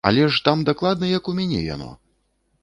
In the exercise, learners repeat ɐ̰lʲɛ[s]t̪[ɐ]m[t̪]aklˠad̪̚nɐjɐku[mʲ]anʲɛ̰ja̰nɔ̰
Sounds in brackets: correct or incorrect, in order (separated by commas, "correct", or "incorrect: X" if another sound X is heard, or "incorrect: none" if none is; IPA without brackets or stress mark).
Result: incorrect: ʂ, incorrect: a, incorrect: d̪, correct